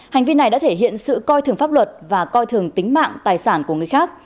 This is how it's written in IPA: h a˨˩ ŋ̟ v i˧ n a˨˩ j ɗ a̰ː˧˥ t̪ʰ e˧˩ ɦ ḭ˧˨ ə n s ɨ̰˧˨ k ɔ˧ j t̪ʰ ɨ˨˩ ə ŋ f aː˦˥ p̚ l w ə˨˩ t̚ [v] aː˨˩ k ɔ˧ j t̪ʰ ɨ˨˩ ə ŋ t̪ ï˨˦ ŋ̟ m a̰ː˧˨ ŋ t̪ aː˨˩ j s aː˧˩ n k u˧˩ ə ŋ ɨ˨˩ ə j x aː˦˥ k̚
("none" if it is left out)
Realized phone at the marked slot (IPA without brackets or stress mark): v